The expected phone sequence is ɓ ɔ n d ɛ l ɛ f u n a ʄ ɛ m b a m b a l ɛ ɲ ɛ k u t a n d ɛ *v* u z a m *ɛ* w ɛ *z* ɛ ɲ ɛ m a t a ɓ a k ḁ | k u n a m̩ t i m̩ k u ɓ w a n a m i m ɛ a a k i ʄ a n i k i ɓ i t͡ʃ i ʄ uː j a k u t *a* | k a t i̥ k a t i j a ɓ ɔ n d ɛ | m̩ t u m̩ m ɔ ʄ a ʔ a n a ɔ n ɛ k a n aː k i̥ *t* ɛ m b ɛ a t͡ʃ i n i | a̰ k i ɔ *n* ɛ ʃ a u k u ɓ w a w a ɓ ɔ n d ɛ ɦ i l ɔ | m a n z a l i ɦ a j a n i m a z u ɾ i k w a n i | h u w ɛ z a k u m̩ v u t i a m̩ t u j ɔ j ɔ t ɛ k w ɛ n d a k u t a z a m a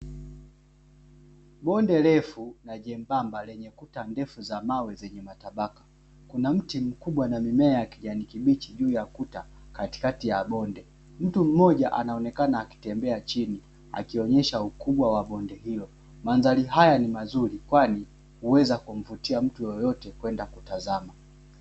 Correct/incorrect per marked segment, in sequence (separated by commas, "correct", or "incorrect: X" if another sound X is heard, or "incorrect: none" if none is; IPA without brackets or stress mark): incorrect: f, incorrect: a, correct, correct, correct, incorrect: ɲ